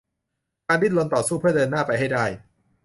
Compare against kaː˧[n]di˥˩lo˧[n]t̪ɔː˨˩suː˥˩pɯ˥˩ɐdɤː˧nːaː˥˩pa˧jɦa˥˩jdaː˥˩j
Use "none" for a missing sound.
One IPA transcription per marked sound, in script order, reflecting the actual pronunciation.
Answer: n, n

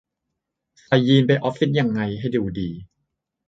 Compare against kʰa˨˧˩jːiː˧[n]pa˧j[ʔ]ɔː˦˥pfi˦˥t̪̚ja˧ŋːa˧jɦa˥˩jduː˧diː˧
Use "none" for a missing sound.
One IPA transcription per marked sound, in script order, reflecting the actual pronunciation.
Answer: n, ʔ

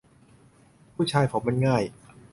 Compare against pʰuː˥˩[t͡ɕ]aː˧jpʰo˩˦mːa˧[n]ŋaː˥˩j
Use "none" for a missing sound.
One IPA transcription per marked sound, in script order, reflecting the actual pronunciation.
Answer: t͡ɕʰ, n

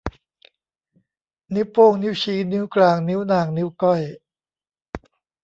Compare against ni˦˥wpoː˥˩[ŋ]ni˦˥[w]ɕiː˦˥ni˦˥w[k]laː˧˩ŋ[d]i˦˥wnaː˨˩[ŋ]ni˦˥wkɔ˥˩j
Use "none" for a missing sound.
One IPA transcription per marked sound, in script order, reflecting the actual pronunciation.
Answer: ŋ, w, k, n, ŋ

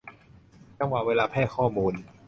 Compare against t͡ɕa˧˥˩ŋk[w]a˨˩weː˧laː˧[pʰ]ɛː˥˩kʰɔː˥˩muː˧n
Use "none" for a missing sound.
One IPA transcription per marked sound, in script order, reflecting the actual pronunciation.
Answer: w, pʰ

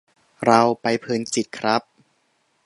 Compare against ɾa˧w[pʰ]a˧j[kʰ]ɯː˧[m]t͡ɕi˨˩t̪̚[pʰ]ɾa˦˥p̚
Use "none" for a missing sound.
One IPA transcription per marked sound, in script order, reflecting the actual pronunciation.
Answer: p, pʰ, n, kʰ

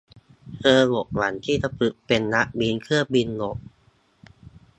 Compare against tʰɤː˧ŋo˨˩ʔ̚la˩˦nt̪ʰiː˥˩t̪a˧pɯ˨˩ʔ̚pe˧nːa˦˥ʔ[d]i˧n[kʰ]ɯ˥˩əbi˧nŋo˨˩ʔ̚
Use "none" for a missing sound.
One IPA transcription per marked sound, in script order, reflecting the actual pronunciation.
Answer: b, kʰ

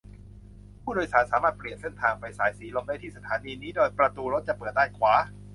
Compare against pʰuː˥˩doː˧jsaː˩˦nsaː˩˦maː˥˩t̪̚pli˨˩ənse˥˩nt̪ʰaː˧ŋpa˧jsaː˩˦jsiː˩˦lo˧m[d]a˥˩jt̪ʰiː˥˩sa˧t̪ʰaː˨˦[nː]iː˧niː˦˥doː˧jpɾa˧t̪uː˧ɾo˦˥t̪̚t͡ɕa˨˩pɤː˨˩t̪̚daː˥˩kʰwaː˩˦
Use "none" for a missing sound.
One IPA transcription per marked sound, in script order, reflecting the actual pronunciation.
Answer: d, n

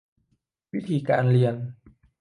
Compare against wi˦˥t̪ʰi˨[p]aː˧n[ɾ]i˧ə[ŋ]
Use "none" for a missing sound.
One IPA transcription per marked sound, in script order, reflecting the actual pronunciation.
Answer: k, l, n

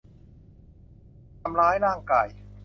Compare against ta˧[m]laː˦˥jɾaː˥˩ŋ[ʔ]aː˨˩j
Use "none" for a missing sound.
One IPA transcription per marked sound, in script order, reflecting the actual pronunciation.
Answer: m, k

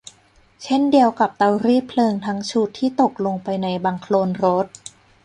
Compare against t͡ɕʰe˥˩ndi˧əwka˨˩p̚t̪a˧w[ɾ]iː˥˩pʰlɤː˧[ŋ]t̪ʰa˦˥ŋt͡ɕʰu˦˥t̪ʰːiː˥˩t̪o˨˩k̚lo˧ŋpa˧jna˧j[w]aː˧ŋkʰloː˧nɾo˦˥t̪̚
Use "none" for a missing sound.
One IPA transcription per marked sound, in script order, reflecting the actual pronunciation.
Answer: ɾ, ŋ, b

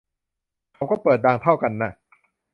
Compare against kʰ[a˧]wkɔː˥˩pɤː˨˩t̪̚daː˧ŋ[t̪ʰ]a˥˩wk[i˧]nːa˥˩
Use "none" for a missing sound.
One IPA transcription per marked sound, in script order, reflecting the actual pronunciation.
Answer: a˧, t̪ʰ, a˧

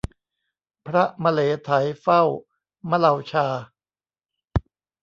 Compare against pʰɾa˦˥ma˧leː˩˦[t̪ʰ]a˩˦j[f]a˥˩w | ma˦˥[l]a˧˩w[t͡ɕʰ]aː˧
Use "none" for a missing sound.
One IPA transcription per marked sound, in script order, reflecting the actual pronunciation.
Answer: t̪ʰ, f, l, t͡ɕʰ

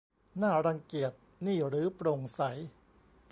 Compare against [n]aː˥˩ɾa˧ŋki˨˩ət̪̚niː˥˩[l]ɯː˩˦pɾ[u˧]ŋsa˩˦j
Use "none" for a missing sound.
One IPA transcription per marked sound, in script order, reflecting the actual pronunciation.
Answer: n, ɾ, o˧

